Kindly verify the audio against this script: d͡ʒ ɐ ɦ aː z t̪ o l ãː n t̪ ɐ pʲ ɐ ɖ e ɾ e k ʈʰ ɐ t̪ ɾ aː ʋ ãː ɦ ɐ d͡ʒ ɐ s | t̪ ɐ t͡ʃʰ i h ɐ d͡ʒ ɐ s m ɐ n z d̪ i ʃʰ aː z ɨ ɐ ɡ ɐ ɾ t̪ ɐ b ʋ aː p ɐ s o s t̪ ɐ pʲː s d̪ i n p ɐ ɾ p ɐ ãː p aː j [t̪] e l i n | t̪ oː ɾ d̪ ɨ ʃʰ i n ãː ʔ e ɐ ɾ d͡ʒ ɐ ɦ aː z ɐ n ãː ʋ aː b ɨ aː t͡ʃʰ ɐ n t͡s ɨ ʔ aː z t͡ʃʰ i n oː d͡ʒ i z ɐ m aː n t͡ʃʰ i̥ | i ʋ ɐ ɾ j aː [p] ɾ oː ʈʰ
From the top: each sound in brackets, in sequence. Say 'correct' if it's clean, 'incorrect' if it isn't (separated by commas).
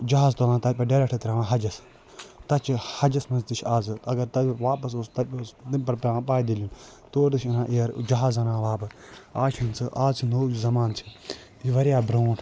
incorrect, incorrect